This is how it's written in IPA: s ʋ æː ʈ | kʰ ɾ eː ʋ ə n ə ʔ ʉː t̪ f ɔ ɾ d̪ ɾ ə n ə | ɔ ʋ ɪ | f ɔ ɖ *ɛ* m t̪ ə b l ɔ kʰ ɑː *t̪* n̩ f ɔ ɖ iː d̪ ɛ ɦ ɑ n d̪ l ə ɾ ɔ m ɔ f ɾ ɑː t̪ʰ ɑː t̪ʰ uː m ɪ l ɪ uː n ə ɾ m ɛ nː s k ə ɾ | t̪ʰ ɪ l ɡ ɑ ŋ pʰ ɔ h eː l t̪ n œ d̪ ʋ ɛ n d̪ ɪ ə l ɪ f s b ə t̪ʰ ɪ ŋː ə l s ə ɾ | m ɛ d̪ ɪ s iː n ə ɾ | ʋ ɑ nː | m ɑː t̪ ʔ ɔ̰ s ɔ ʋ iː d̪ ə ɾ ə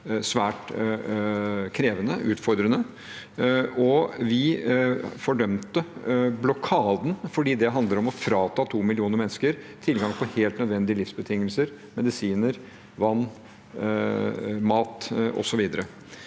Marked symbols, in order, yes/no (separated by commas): no, no